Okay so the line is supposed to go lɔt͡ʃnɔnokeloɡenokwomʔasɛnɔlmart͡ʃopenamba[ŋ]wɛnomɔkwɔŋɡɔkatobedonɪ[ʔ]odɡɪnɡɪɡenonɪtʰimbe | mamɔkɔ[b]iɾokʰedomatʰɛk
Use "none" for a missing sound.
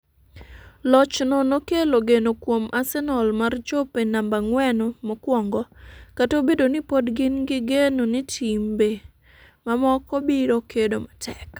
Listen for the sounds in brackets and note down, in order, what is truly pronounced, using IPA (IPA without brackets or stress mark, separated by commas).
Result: ŋ, p, b